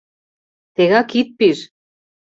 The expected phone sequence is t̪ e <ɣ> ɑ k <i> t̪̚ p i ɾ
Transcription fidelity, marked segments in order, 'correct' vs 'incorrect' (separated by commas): correct, correct